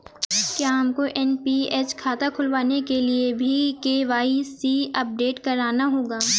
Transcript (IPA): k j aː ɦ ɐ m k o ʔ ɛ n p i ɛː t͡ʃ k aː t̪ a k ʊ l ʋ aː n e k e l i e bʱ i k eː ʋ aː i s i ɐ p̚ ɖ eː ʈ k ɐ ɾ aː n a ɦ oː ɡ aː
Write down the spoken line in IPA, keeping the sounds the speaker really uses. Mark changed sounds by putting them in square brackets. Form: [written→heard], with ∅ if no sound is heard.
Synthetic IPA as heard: k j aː ɦ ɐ m k o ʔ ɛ n p i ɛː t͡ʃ [k→kʰ] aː t̪ a [k→kʰ] ʊ l ʋ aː n e k e l i e bʱ i k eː ʋ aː i s i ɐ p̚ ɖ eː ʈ k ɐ ɾ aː n a ɦ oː ɡ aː